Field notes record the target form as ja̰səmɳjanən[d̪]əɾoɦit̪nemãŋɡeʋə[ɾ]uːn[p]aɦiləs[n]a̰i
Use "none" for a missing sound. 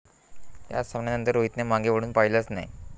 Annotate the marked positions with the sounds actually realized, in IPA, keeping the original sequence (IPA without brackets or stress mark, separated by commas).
t̪, ɽ, p, n